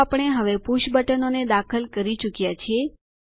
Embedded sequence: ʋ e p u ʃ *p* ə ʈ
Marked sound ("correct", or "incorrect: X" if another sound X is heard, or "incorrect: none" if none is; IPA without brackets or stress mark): incorrect: b